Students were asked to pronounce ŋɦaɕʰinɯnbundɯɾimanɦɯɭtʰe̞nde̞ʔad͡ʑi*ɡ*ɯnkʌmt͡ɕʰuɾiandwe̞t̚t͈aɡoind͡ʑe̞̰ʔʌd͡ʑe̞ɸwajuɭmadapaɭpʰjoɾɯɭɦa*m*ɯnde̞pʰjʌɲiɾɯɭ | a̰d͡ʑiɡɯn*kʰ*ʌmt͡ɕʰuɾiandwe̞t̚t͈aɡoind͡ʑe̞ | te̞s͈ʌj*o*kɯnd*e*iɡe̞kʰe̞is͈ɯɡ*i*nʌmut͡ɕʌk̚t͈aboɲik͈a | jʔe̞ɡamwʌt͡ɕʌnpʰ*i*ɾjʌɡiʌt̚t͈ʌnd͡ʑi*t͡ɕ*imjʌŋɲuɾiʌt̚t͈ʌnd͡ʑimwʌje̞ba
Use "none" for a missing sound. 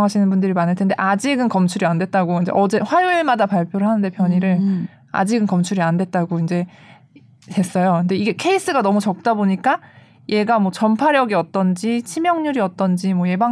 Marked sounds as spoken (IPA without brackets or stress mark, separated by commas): ɡ, n, k, o, e, a, a, t͡ɕʰ